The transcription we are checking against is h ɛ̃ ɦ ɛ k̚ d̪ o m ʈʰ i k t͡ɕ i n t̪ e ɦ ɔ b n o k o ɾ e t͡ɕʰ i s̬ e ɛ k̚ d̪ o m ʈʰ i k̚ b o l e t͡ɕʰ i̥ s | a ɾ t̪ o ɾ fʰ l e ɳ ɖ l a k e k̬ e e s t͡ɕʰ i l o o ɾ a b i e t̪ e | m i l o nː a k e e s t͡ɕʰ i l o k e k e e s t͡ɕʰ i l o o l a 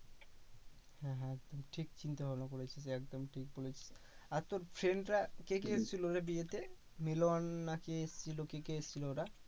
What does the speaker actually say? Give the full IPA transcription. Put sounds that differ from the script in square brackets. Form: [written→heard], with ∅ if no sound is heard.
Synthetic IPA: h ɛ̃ ɦ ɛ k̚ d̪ o m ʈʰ i k t͡ɕ i n t̪ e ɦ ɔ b n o k o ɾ e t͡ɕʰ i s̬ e ɛ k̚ d̪ o m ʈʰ i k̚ b o l e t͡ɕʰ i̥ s | a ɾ t̪ o ɾ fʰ [l→ɾ] e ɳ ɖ [l→ɾ] a k e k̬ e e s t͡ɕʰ i l o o ɾ a b i e t̪ e | m i l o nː a k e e s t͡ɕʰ i l o k e k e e s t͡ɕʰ i l o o [l→ɾ] a